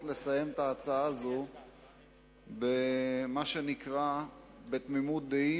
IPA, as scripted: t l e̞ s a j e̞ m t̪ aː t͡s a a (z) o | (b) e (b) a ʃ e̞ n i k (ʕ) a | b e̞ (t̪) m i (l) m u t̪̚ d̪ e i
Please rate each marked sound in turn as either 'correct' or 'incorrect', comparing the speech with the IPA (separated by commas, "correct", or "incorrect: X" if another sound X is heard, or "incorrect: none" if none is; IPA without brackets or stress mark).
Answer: correct, correct, incorrect: m, incorrect: ʁ, correct, incorrect: none